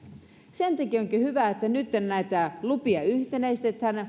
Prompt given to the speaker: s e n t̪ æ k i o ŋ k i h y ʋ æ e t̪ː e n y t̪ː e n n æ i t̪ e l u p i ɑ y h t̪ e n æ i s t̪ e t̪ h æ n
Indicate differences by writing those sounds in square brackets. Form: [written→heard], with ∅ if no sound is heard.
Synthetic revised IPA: s e n t̪ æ k i o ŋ k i h y ʋ æ e t̪ː [e→æ] n y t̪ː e n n æ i t̪ [e→æ] l u p i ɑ y h t̪ e n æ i s t̪ e t̪ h æ n